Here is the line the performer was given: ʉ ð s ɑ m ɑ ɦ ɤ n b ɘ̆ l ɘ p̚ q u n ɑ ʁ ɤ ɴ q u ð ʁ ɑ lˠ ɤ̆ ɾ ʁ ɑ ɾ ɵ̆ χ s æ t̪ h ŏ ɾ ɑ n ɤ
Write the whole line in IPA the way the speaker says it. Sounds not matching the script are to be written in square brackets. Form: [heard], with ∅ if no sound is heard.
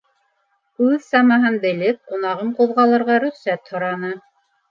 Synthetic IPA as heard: ʉ ð s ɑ m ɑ ɦ ɤ n b ɘ̆ l ɘ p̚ q u n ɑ ʁ ɤ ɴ q u ð ʁ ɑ lˠ ɤ̆ ɾ ʁ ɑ ɾ ɵ̆ χ s æ t̪ h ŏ ɾ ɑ n ɤ